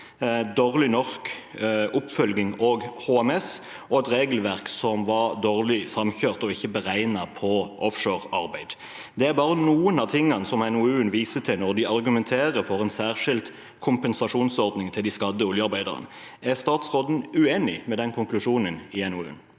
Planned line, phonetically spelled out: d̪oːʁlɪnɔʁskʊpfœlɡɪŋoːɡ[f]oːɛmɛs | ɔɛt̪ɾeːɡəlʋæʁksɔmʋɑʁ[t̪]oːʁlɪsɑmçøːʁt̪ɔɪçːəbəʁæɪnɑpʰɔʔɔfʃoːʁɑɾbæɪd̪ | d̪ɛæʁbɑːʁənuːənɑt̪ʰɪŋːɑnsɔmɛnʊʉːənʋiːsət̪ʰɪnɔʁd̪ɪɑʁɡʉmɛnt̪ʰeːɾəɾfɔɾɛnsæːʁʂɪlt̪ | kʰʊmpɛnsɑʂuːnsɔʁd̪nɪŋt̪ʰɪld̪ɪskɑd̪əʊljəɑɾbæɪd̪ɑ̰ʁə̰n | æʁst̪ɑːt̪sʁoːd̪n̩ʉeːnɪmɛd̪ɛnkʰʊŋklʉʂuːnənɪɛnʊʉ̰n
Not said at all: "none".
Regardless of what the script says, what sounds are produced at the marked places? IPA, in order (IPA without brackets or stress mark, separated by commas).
h, d̪